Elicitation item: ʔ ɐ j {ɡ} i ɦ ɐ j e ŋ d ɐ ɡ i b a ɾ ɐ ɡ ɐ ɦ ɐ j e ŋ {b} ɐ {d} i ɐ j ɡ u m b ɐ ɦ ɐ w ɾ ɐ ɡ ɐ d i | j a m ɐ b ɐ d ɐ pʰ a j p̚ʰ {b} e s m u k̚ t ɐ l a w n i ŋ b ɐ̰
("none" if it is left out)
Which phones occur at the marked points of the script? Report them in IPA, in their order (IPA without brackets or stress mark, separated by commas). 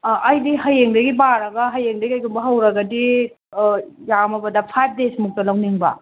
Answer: d, d, ɡ, d